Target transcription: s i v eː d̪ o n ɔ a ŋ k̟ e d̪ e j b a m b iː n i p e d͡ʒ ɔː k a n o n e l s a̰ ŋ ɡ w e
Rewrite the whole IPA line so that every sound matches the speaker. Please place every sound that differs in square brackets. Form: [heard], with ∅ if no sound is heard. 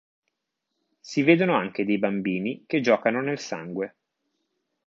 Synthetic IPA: s i v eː d̪ o n [o] a ŋ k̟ e d̪ e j b a m b iː n i [k] e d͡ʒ ɔː k a n o n e l s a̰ ŋ ɡ w e